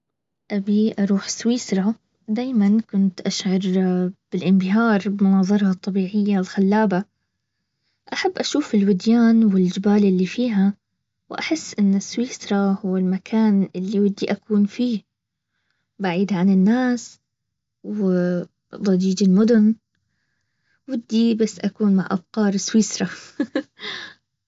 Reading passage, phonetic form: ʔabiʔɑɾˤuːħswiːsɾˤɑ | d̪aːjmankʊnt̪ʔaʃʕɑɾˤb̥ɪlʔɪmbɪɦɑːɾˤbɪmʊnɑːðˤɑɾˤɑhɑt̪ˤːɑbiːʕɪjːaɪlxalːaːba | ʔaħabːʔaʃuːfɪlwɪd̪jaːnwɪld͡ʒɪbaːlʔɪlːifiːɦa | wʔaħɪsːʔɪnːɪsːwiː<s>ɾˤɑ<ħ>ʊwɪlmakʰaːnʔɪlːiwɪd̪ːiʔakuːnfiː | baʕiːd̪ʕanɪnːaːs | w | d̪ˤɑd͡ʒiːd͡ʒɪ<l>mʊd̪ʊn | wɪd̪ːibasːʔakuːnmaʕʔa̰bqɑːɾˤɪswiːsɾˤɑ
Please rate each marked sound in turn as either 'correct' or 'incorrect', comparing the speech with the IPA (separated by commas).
correct, incorrect, correct